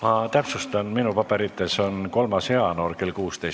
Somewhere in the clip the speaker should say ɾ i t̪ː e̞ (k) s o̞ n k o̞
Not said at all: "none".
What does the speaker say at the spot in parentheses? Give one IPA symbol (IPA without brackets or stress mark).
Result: none